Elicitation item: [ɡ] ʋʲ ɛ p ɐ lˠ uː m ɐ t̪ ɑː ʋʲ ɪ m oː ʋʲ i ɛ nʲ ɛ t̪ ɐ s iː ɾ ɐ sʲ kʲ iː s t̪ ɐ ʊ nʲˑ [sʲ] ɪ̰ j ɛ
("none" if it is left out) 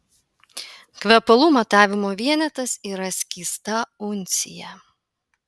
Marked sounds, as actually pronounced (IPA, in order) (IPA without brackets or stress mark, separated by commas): k, sʲ